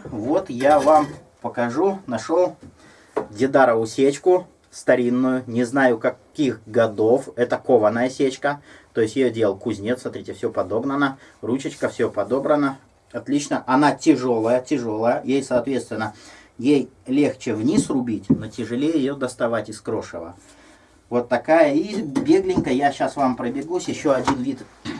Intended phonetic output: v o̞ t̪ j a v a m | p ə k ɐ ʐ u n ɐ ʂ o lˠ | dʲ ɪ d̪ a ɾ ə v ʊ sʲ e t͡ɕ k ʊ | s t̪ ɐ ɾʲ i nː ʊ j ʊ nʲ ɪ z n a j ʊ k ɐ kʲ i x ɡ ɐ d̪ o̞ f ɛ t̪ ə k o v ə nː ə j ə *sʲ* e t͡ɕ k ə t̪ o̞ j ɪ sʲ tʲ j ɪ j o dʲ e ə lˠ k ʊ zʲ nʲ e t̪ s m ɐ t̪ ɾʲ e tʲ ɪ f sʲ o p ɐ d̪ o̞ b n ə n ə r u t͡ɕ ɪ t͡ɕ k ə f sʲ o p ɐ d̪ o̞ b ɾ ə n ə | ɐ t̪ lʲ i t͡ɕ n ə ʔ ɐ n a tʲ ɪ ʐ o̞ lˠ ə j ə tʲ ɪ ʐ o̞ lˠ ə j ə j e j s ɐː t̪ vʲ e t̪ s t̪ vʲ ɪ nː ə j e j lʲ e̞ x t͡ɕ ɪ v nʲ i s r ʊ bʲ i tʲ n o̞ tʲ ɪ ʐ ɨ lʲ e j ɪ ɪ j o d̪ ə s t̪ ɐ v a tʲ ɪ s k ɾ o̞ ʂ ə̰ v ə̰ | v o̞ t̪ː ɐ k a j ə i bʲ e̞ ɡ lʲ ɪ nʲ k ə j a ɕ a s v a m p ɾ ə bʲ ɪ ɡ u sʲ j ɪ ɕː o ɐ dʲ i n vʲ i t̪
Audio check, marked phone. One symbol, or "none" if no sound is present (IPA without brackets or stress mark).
sʲ